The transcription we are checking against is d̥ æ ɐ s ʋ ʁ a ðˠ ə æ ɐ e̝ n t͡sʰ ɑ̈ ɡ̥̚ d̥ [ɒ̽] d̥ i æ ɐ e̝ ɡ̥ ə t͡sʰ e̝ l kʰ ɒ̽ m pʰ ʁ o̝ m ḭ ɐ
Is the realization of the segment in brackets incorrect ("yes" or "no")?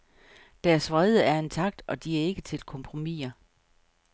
no